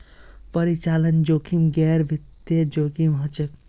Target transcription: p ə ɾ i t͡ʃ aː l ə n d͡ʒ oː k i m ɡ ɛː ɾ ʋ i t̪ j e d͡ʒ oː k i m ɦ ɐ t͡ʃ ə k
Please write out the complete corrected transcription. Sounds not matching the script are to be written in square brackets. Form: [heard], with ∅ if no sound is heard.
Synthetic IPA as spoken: p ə ɾ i t͡ʃ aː l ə n d͡ʒ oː k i m ɡ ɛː ɾ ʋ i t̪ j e d͡ʒ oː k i m ɦ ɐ t͡ʃ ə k